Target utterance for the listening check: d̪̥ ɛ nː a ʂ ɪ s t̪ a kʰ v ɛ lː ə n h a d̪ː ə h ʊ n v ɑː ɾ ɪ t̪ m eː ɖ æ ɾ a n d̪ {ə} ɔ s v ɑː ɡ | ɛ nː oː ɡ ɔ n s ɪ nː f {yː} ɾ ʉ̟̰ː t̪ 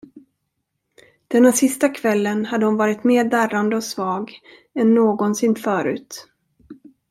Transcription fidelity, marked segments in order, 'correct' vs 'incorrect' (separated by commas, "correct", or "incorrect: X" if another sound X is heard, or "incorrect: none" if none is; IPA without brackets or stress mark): correct, incorrect: œː